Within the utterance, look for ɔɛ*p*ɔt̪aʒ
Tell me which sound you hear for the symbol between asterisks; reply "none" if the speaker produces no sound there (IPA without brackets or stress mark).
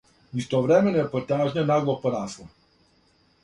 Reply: p